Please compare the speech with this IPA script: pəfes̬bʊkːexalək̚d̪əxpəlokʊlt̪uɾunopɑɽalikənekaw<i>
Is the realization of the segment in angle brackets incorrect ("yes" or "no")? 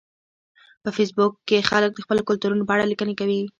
no